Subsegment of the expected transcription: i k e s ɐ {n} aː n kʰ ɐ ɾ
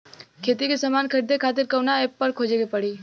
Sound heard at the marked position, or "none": m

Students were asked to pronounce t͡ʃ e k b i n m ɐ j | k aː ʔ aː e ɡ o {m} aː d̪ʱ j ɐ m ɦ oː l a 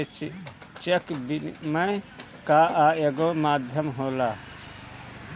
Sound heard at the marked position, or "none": m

